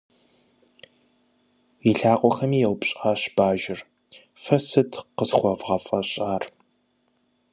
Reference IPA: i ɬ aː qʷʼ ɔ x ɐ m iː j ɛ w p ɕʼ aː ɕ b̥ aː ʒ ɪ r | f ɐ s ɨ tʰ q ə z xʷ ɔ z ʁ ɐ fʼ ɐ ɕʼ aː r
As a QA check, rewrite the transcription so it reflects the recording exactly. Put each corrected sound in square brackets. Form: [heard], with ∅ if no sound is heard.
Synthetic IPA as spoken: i ɬ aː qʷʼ ɔ x ɐ m iː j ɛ w p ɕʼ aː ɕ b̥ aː ʒ ɪ r | f ɐ s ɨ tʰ q ə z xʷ ɔ [v] ʁ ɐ fʼ ɐ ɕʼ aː r